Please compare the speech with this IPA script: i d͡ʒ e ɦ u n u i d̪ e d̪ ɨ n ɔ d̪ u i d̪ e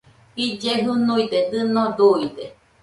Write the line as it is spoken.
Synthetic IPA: i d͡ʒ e ɦ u n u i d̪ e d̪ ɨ n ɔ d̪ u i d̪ e